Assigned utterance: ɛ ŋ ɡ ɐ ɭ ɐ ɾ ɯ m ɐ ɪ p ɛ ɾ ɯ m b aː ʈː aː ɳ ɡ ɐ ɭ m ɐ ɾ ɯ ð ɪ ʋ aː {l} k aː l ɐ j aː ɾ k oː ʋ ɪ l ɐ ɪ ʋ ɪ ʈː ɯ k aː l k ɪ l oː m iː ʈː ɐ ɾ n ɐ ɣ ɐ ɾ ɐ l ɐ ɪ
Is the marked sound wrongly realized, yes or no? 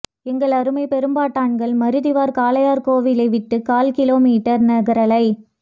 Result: yes